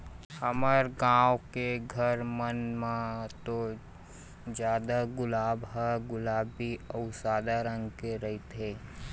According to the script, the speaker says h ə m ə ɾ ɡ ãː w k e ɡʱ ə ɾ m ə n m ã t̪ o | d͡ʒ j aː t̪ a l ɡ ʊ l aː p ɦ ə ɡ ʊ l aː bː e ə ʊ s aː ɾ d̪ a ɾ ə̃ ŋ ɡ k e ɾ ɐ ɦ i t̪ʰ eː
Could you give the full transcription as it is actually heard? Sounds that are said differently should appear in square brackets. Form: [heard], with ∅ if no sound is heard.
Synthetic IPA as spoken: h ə m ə ɾ ɡ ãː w k e ɡʱ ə ɾ m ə n m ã t̪ o | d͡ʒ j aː [d̪] a [∅] ɡ ʊ l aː [b] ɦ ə ɡ ʊ l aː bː [i] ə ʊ s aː [∅] d̪ a ɾ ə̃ ŋ ɡ k e ɾ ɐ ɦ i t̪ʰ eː

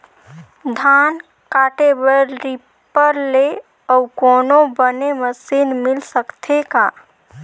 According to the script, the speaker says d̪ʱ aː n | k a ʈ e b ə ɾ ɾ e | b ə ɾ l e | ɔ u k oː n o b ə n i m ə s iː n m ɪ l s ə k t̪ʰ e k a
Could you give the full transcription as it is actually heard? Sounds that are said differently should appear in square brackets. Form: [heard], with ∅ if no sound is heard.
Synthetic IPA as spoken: d̪ʱ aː n | k a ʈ e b ə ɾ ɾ [i] | [p] ə ɾ l e | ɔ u k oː n o b ə n [e] m ə s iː n m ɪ l s ə k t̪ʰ e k a

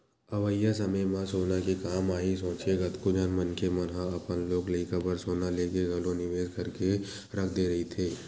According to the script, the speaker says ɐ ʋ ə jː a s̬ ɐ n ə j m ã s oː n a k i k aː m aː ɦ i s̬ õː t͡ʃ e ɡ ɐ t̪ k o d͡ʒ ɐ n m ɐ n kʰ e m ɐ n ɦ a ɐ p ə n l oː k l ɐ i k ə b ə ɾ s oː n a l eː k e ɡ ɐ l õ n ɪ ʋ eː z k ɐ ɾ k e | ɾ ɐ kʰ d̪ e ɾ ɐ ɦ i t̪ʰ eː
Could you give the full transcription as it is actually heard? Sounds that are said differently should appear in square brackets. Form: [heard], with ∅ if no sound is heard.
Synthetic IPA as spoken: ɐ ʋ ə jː a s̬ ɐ [m] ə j m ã s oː n a k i k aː m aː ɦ i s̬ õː t͡ʃ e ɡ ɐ t̪ k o d͡ʒ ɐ n m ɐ n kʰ e m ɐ n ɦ a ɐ p ə n l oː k l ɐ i k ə b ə ɾ s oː n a l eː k e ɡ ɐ l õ n ɪ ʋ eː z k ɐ ɾ k e | ɾ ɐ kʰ d̪ e ɾ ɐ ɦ i t̪ʰ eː

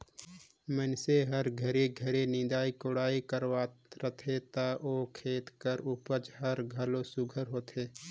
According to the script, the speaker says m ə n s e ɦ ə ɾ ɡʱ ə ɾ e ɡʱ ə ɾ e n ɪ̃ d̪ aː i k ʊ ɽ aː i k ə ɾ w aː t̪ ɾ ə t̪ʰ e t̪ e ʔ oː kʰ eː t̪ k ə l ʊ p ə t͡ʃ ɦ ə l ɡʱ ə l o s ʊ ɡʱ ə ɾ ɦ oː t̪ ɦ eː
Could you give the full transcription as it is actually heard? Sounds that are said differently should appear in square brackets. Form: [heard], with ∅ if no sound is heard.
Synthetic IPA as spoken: m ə n s e ɦ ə ɾ ɡʱ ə ɾ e ɡʱ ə ɾ e n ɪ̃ d̪ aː i k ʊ ɽ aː i k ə ɾ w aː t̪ ɾ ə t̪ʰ e t̪ [a] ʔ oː kʰ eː t̪ k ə [ɾ] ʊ p ə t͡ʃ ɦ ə [ɾ] ɡʱ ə l o s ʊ ɡʱ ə ɾ ɦ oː t̪ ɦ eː

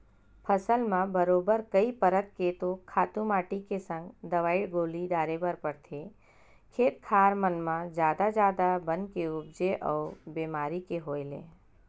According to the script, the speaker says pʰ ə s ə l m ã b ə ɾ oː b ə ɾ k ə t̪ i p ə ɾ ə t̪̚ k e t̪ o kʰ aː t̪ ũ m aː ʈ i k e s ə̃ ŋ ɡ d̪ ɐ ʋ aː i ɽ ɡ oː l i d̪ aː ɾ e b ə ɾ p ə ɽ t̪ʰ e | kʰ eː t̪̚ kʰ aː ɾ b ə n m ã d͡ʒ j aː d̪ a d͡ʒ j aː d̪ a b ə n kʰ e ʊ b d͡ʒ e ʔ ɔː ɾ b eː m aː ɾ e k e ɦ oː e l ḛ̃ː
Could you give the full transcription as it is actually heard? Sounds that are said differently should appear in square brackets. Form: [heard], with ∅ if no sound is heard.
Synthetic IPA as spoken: pʰ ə s ə l m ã b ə ɾ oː b ə ɾ k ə [∅] i p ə ɾ ə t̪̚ k e t̪ o kʰ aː t̪ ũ m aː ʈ i k e s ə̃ ŋ ɡ d̪ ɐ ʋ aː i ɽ ɡ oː l i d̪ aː ɾ e b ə ɾ p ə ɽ t̪ʰ e | kʰ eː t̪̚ kʰ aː ɾ [m] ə n m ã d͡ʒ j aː d̪ a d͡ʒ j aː d̪ a b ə n [k] e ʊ b d͡ʒ e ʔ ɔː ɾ b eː m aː ɾ [i] k e ɦ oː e l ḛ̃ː

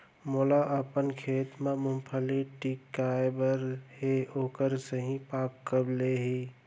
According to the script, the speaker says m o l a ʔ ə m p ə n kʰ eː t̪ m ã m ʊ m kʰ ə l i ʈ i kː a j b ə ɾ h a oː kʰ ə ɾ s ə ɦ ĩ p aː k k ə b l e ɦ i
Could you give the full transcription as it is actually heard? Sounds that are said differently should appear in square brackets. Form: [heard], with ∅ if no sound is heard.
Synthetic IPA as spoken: m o l a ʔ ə [∅] p ə n kʰ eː t̪ m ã m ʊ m [pʰ] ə l i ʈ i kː a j b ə ɾ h [e] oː [k] ə ɾ s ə ɦ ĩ p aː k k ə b l e ɦ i

